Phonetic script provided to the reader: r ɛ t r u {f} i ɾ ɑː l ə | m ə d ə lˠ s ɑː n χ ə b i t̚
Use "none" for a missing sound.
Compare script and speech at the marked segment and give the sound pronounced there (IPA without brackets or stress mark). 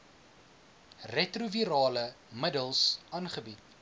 v